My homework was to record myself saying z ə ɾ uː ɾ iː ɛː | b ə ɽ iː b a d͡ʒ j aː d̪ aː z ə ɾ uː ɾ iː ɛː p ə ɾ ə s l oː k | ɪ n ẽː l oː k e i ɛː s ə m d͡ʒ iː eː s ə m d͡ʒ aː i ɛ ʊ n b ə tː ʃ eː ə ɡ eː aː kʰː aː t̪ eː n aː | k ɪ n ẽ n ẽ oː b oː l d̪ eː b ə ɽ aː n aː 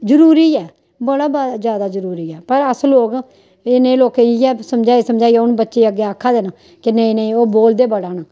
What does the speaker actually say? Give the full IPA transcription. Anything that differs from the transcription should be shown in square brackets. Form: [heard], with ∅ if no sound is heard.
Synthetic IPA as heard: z ə ɾ uː ɾ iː ɛː | b ə ɽ [aː] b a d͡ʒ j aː d̪ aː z ə ɾ uː ɾ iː ɛː p ə ɾ ə s l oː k | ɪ n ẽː l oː k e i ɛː s ə m d͡ʒ [aː] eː s ə m d͡ʒ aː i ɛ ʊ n b ə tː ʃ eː ə ɡ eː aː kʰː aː [d̪] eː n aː | k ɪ n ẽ n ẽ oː b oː l d̪ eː b ə ɽ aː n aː

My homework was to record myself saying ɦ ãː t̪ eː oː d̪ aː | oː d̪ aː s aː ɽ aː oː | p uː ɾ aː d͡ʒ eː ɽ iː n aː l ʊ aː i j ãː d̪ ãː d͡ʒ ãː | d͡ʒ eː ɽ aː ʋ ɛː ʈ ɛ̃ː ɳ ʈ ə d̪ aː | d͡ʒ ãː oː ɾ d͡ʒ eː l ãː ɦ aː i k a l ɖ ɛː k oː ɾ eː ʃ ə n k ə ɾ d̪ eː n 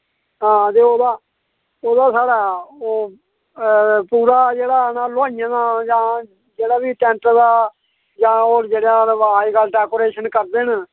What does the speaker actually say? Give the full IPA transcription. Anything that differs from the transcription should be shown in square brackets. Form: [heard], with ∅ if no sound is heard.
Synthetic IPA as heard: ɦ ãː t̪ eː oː d̪ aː | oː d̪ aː s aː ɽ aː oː | p uː ɾ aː d͡ʒ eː ɽ [aː] n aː l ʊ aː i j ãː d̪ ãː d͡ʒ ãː | d͡ʒ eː ɽ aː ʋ [iː] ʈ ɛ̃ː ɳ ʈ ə d̪ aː | d͡ʒ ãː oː ɾ d͡ʒ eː [ɽ] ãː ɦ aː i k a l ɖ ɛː k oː ɾ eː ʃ ə n k ə ɾ d̪ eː n

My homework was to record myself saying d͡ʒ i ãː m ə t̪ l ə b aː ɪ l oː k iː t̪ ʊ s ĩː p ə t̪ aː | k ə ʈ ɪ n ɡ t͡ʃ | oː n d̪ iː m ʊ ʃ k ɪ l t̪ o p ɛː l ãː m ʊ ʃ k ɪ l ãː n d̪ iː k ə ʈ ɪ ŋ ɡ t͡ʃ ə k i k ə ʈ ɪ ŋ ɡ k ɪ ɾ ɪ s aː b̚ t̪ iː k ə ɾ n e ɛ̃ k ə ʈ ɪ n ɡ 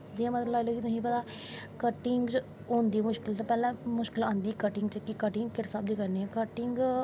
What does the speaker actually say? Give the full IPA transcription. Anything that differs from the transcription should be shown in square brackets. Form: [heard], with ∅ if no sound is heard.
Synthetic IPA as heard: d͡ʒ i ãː m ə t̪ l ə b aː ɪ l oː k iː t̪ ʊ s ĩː p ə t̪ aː | k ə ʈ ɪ [ŋ] ɡ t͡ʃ | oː n d̪ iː m ʊ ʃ k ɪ l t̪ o p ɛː l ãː m ʊ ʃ k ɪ l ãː n d̪ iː k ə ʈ ɪ ŋ ɡ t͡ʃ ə k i k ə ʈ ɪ ŋ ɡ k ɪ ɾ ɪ s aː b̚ [d̪] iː k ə ɾ n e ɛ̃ k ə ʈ ɪ [ŋ] ɡ

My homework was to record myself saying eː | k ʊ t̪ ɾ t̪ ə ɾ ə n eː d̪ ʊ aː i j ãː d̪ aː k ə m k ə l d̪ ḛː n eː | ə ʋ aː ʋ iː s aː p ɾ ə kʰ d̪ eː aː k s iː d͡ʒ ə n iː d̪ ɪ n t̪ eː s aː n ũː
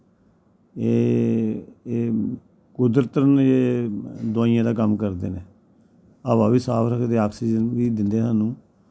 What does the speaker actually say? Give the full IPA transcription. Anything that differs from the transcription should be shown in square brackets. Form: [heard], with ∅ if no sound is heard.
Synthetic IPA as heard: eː | k ʊ [d̪] ɾ t̪ ə ɾ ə n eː d̪ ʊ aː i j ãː d̪ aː k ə m k ə [ɾ] d̪ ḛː n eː | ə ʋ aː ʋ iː s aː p ɾ ə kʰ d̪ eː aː k s iː d͡ʒ ə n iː d̪ ɪ n [d̪] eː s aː n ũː

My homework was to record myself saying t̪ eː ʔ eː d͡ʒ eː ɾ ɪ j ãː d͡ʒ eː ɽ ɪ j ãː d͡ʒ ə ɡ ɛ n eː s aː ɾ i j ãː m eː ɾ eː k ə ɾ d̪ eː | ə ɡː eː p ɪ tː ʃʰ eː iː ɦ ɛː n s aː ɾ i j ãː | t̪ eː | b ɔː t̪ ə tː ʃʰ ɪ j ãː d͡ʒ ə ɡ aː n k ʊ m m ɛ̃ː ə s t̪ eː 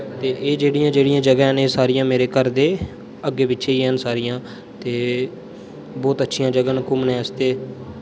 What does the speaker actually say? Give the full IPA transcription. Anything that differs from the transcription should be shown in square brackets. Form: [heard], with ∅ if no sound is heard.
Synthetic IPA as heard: t̪ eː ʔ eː d͡ʒ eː [ɽ] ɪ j ãː d͡ʒ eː ɽ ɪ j ãː d͡ʒ ə ɡ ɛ n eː s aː ɾ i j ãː m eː ɾ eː k ə ɾ d̪ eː | ə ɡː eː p ɪ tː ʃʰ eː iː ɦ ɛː n s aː ɾ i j ãː | t̪ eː | b ɔː t̪ ə tː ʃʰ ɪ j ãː d͡ʒ ə ɡ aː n k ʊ m [n] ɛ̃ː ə s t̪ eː

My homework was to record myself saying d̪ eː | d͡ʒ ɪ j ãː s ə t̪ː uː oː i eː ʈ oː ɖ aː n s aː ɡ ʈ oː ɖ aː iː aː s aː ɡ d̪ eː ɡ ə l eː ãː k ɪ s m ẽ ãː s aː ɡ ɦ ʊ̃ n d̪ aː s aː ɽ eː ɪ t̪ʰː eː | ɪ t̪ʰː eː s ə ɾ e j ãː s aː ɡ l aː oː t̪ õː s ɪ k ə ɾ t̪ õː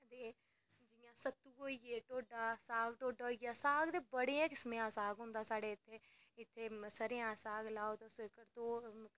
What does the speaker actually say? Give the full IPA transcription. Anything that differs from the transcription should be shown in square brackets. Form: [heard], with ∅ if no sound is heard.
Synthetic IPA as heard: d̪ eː | d͡ʒ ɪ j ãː s ə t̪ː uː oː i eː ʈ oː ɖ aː [∅] s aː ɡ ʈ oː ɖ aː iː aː s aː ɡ d̪ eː [b] ə [ɽ] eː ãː k ɪ s m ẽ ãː s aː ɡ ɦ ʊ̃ n d̪ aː s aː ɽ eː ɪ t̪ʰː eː | ɪ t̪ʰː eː s ə ɾ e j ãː s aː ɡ l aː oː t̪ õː s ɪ k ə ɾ t̪ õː

